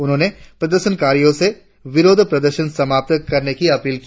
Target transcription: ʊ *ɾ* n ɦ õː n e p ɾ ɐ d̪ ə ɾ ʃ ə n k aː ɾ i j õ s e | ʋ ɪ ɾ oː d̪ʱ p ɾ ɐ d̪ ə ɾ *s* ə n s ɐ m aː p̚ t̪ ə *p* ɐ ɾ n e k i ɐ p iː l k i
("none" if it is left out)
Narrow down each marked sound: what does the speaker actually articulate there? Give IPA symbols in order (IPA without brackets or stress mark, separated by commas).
none, ʃ, k